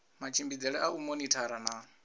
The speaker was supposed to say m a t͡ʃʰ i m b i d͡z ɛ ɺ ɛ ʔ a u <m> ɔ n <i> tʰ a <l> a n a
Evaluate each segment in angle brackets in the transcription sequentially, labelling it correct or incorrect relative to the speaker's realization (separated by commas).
correct, correct, incorrect